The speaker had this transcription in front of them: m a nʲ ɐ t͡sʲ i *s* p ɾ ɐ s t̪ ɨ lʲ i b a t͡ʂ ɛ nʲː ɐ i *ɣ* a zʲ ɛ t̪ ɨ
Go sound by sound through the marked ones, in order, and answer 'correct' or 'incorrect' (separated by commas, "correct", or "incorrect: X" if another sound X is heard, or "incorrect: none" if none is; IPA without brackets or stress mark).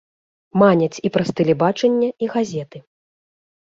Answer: incorrect: none, correct